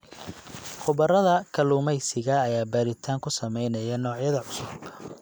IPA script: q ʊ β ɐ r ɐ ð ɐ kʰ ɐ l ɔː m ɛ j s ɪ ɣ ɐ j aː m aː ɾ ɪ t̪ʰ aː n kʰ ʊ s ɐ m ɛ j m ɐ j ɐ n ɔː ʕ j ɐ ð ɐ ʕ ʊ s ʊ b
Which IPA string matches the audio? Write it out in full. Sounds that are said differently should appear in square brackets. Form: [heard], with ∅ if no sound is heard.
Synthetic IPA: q ʊ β ɐ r ɐ ð ɐ kʰ ɐ l [uː] m ɛ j s ɪ ɣ [ɐː] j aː [b] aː ɾ ɪ t̪ʰ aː [ŋ] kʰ ʊ s ɐ m ɛ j [n] ɐ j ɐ n ɔː ʕ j ɐ ð ɐ ʕ ʊ s ʊ b